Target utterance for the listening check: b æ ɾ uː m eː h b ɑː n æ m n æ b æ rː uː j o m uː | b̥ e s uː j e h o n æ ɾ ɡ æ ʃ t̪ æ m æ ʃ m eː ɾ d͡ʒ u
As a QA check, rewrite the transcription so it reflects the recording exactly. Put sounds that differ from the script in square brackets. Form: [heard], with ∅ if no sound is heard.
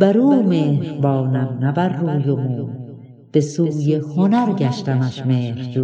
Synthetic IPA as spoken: b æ ɾ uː m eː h b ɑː n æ m n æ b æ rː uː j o m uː | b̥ e s uː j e h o n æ ɾ ɡ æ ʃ t̪ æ m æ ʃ m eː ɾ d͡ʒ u